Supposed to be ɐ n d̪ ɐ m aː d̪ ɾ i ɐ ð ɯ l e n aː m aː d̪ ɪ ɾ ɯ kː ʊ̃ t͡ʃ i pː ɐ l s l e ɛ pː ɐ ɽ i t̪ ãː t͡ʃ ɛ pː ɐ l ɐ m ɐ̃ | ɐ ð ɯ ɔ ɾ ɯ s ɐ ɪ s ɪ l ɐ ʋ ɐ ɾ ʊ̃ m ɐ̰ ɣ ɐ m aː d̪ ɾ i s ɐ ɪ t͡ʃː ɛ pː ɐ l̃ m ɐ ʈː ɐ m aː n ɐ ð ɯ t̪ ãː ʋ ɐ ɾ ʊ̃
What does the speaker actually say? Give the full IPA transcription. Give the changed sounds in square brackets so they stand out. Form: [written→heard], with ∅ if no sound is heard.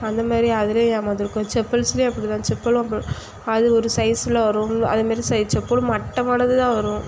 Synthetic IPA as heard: ɐ n d̪ ɐ m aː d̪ ɾ i ɐ ð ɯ l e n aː m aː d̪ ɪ ɾ ɯ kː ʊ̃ t͡ʃ [i→ɛ] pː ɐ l s l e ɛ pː ɐ ɽ i t̪ ãː t͡ʃ ɛ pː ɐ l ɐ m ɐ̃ | ɐ ð ɯ ɔ ɾ ɯ s ɐ ɪ s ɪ l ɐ ʋ ɐ ɾ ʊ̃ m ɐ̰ [ɣ→ð] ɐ m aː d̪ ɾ i s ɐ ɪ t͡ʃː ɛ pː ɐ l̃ m ɐ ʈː ɐ m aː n ɐ ð ɯ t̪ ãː ʋ ɐ ɾ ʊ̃

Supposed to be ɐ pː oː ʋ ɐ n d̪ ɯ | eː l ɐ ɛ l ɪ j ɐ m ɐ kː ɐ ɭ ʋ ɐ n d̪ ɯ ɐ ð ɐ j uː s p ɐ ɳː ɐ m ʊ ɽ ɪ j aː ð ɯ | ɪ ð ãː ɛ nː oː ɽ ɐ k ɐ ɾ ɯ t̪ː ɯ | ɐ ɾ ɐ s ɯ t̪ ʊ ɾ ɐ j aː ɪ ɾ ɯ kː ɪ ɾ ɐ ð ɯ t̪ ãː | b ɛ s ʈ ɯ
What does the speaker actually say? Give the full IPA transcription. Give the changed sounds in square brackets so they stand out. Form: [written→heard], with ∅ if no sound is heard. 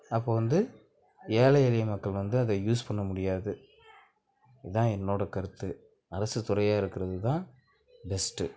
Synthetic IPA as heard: ɐ pː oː ʋ ɐ n d̪ ɯ | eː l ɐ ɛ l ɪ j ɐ m ɐ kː ɐ ɭ ʋ ɐ n d̪ ɯ ɐ ð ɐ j uː s p ɐ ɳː ɐ m ʊ ɽ ɪ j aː ð ɯ | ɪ ð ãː ɛ nː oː ɽ ɐ k ɐ ɾ ɯ t̪ː ɯ | ɐ ɾ ɐ s ɯ t̪ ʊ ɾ ɐ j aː ɪ ɾ ɯ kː ɪ ɾ ɐ ð ɯ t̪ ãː | b ɛ s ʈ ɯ

